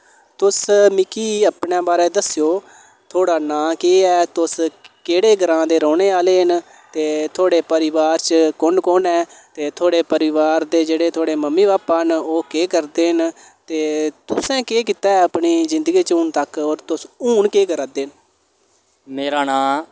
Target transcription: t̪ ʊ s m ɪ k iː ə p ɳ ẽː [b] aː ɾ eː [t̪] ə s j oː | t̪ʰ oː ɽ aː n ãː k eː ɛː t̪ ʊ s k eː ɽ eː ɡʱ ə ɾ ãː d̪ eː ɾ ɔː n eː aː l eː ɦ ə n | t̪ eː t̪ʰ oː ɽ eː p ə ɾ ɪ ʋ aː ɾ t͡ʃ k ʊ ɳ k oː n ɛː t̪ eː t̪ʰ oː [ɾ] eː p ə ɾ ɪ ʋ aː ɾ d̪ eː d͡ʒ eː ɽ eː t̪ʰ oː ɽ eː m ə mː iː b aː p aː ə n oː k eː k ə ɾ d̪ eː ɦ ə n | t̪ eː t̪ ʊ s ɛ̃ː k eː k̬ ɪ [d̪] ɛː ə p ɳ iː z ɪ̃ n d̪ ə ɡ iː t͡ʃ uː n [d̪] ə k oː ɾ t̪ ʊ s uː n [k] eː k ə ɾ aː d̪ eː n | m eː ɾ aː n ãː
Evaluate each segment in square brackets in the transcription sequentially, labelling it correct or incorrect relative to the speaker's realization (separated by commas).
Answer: correct, incorrect, incorrect, incorrect, incorrect, correct